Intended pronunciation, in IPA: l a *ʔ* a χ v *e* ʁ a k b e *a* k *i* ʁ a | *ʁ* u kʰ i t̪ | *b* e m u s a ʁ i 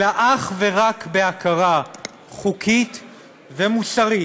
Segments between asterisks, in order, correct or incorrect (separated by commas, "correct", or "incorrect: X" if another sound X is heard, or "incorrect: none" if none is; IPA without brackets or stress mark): correct, correct, correct, incorrect: a, incorrect: χ, incorrect: v